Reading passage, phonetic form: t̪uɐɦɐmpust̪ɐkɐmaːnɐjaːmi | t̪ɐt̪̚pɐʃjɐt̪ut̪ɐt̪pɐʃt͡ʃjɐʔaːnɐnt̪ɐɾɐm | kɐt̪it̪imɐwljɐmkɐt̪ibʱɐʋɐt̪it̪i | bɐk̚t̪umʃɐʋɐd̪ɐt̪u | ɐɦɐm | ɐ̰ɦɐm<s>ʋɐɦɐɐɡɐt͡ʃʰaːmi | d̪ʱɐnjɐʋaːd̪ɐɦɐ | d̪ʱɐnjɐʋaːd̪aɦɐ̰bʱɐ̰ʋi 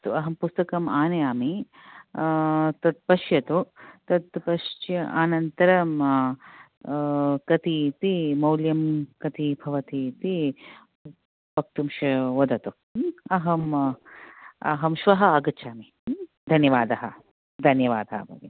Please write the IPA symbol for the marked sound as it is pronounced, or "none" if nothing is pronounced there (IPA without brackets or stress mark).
ʃ